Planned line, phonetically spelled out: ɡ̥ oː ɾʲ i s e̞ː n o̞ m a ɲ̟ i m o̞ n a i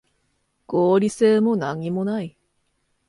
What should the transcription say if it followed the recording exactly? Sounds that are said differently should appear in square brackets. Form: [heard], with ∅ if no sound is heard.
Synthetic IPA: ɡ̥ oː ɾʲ i s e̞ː [m] o̞ [n] a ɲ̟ i m o̞ n a i